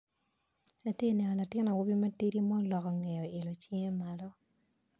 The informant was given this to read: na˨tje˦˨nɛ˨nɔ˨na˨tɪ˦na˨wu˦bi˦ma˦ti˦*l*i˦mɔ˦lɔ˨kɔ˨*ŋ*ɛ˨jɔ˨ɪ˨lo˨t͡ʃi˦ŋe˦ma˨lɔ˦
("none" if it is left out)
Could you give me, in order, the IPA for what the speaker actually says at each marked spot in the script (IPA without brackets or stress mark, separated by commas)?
ɾ, ŋ